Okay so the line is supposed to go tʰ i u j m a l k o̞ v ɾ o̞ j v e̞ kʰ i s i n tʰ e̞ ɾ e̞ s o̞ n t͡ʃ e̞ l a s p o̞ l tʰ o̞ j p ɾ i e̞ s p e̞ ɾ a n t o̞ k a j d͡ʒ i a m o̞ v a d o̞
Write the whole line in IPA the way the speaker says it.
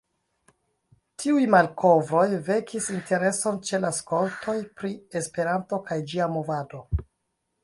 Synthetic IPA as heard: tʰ i u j m a l k o̞ v ɾ o̞ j v e̞ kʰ i s i n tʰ e̞ ɾ e̞ s o̞ n t͡ʃ e̞ l a s k o̞ l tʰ o̞ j p ɾ i e̞ s p e̞ ɾ a n t o̞ k a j d͡ʒ i a m o̞ v a d o̞